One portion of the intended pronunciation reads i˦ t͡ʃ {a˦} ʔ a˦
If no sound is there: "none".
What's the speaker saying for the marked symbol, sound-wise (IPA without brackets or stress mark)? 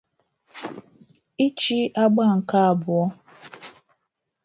i˦